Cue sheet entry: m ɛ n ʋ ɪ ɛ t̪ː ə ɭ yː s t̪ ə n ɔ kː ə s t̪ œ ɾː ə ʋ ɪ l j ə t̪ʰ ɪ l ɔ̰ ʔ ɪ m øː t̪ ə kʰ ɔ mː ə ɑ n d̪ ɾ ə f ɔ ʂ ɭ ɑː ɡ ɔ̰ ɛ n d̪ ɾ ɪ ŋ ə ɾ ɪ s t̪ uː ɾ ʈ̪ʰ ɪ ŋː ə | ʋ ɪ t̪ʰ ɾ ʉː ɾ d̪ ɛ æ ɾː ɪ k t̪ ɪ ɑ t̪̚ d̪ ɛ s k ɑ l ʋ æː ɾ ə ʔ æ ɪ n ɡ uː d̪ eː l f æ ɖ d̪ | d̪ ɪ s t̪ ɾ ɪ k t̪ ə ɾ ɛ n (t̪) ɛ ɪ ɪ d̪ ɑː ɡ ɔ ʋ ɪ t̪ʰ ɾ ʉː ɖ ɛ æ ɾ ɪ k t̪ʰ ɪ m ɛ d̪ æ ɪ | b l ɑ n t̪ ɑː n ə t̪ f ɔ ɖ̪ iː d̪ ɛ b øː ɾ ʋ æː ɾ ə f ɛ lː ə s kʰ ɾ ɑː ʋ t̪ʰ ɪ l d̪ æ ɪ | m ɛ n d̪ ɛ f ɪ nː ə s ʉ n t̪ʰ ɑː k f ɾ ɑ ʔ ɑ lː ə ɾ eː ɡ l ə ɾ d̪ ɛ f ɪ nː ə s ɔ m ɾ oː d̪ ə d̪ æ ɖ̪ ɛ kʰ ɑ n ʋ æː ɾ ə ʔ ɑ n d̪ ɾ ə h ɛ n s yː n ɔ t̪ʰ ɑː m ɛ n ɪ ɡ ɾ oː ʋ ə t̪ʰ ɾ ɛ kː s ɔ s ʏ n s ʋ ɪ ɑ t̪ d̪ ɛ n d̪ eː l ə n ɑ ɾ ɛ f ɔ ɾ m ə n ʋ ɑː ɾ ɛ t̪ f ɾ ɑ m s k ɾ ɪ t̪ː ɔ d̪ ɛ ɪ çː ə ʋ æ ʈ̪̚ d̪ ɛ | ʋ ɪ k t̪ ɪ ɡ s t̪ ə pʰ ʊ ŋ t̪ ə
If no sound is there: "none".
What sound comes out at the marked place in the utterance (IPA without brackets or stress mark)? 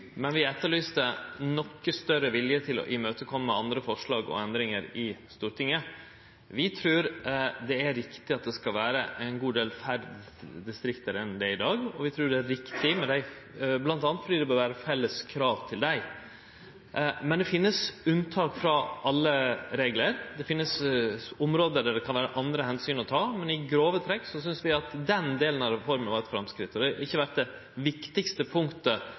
d̪